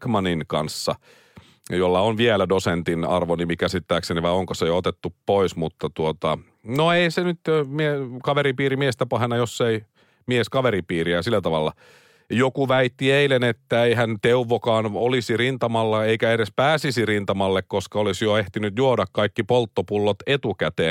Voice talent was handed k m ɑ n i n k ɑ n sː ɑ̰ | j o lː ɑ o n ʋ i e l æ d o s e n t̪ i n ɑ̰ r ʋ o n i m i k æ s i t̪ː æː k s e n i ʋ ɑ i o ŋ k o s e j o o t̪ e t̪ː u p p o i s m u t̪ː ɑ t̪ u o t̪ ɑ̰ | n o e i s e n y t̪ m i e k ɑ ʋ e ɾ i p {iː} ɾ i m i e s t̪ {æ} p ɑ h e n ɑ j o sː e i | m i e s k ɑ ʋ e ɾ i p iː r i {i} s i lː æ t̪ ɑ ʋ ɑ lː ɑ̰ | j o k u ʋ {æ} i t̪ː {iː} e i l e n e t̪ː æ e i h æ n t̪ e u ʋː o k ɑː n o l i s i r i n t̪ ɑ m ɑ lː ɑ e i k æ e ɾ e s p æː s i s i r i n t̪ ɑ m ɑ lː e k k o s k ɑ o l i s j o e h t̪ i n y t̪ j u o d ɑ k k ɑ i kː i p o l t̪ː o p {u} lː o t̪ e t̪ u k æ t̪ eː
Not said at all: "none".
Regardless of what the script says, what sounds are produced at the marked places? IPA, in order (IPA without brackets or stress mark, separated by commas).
iː, æ, æ, æ, i, u